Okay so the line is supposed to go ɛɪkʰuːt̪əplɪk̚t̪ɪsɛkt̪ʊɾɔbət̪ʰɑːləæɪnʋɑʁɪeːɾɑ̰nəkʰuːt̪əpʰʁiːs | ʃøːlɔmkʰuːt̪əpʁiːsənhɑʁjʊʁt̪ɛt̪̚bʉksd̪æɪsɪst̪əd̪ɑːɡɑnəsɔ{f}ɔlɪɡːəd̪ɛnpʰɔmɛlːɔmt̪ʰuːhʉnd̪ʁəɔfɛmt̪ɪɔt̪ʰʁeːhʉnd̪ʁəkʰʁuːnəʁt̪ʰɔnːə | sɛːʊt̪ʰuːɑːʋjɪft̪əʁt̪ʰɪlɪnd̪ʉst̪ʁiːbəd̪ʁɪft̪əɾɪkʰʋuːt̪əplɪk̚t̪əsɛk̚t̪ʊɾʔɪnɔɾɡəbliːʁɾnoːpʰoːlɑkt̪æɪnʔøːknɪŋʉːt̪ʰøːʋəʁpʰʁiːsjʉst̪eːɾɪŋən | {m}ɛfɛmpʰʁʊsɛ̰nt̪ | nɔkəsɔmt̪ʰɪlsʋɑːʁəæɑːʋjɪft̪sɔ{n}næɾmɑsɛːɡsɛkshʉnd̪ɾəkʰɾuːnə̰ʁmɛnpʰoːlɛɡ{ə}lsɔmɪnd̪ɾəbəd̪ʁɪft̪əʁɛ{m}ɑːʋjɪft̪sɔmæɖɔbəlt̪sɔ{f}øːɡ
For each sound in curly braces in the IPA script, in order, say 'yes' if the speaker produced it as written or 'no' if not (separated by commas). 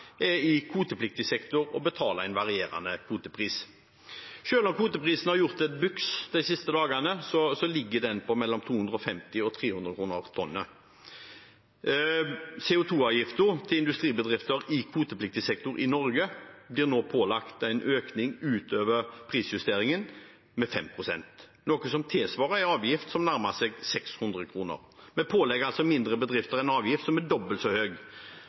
no, yes, no, no, no, no